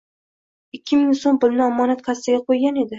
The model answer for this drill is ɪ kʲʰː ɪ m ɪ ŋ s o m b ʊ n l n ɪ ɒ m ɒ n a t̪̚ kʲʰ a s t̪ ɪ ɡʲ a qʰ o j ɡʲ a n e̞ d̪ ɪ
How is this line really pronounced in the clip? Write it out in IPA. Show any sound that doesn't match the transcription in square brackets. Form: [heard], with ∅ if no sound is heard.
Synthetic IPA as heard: ɪ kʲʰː ɪ m ɪ ŋ s o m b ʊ [∅] l n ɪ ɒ m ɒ n a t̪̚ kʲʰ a s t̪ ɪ ɡʲ a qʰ o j ɡʲ a n e̞ d̪ ɪ